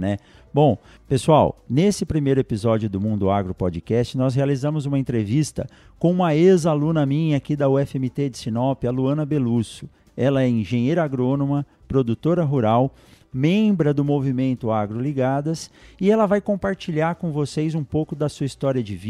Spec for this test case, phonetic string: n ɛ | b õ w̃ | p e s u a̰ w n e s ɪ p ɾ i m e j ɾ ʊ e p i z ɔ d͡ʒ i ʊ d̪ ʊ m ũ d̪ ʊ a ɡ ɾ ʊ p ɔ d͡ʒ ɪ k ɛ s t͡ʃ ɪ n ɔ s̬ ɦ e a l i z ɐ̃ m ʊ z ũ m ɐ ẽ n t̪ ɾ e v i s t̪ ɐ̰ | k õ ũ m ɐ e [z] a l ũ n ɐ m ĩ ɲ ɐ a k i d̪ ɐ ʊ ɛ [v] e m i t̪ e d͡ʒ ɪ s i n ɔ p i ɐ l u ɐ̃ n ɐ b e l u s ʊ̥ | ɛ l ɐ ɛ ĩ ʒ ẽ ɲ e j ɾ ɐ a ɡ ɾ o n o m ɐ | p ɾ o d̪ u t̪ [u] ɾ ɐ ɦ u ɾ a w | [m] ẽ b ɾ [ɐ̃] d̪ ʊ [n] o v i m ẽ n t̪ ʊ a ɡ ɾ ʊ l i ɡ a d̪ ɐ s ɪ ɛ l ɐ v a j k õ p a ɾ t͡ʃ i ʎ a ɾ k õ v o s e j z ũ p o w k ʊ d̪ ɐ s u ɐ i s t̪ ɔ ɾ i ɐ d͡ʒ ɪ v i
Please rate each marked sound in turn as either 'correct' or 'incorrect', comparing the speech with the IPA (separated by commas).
correct, incorrect, incorrect, correct, incorrect, incorrect